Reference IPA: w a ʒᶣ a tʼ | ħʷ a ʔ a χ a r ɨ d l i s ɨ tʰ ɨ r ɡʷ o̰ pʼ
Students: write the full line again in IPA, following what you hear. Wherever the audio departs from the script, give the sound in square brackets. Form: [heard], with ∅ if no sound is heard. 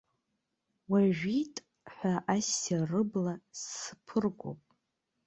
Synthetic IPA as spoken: w a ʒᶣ [i] tʼ | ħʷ a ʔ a [s] a r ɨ [b] l [a] s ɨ [pʰ] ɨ r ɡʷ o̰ pʼ